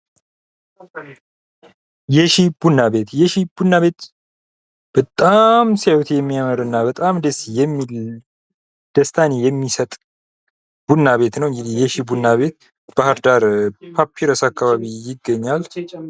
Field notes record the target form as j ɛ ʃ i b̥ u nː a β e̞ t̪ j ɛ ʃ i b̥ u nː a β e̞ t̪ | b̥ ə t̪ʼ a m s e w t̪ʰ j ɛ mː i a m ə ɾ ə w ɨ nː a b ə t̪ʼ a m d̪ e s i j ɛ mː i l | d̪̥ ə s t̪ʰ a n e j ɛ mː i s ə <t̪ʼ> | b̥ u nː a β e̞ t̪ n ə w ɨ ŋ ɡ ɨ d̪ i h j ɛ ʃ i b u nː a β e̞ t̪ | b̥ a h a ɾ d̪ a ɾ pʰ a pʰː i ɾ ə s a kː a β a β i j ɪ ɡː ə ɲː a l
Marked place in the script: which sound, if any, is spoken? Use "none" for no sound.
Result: t̪ʼ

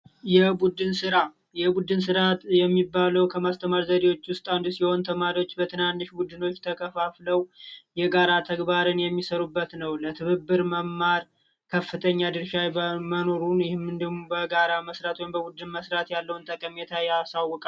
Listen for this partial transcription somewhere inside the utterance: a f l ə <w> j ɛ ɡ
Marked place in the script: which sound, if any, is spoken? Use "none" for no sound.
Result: w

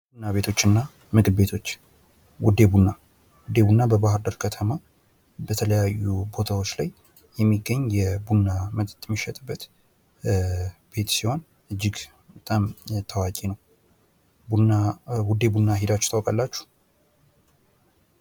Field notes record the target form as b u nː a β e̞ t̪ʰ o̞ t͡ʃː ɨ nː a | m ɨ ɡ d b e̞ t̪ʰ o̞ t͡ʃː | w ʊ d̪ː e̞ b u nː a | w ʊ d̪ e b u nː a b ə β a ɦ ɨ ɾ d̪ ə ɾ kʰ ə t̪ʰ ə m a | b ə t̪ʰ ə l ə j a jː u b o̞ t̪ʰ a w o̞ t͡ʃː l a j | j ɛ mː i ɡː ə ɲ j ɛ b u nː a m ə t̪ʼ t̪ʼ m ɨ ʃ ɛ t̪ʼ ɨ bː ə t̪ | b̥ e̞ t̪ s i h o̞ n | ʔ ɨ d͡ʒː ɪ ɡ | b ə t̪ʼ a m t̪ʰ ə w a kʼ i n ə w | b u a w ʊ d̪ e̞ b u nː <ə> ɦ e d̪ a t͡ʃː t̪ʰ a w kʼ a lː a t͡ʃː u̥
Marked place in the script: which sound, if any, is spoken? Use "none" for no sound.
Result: a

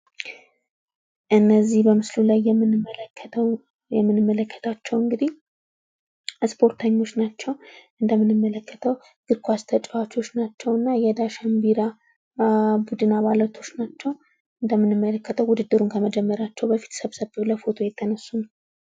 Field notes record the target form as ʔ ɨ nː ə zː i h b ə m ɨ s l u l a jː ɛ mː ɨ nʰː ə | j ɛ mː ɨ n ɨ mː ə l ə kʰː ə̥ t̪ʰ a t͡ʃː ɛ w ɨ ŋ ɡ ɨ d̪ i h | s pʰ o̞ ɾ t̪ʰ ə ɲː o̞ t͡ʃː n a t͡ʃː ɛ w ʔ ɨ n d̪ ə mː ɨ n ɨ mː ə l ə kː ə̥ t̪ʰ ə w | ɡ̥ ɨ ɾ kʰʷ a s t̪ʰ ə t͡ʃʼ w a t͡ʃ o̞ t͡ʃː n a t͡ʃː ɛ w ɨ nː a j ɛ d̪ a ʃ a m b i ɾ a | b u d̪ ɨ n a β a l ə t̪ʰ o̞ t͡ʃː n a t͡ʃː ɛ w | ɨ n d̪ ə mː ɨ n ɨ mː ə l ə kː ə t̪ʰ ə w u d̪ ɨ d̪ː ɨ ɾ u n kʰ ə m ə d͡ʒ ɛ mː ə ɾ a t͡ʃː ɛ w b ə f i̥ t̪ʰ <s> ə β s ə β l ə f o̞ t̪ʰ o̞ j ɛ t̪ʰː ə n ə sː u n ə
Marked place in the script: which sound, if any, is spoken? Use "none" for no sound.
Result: s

